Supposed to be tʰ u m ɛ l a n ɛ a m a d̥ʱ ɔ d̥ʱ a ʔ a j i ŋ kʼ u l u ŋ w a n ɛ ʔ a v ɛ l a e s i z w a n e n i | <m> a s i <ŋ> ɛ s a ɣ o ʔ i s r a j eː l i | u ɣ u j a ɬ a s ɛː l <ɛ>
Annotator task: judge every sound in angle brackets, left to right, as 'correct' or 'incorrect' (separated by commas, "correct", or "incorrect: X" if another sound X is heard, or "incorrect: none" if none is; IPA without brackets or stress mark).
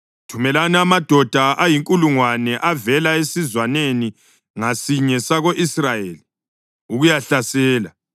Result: incorrect: ŋ, incorrect: ɲ, incorrect: a